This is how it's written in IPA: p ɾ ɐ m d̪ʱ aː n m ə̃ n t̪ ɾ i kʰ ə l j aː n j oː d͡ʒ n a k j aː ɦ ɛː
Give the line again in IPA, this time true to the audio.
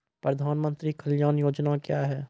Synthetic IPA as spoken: p ɾ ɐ d̪ʱ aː n m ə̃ n t̪ ɾ i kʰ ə l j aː n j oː d͡ʒ n a k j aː ɦ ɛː